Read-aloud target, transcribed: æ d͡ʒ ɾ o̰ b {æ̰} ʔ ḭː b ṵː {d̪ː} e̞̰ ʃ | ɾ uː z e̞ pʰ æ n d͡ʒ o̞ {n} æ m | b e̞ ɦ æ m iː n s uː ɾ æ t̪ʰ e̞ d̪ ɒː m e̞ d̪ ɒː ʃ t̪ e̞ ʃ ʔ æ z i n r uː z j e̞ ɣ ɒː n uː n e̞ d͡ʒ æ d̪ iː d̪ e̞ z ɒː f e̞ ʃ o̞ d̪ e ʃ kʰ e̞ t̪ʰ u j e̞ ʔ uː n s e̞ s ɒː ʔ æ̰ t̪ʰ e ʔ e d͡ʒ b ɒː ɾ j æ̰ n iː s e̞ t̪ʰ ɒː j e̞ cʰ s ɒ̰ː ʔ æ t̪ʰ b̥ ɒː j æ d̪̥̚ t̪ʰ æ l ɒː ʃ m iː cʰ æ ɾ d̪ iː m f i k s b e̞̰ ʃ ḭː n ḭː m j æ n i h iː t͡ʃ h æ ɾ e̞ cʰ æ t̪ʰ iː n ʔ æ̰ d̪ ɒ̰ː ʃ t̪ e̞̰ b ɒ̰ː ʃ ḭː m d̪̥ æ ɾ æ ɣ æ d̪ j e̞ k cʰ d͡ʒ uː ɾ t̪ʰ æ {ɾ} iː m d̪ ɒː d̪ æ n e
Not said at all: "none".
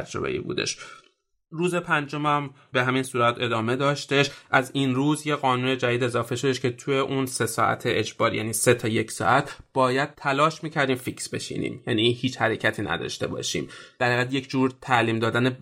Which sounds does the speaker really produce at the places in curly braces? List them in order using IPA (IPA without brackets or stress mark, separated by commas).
ḛ, d̪, m, l